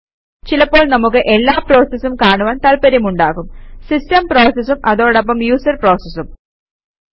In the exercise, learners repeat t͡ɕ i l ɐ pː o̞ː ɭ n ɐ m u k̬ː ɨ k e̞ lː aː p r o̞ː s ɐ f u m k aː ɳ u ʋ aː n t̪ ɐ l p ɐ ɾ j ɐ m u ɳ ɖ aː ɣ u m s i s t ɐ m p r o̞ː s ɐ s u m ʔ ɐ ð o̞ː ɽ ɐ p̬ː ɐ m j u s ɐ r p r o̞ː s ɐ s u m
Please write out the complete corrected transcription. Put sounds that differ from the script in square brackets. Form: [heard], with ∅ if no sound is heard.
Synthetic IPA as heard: t͡ɕ i l ɐ pː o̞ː ɭ n ɐ m u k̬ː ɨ [ʔ] e̞ lː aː p r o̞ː s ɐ [s] u m k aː ɳ u ʋ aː n t̪ ɐ l p ɐ ɾ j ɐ m u ɳ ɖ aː ɣ u m s i s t ɐ m p r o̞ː s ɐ s u m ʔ ɐ ð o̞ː ɽ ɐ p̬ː ɐ m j [uː] s ɐ r p r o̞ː s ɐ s u m